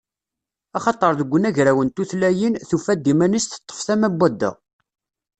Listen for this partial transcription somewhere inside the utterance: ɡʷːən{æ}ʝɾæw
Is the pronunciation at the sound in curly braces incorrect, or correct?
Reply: correct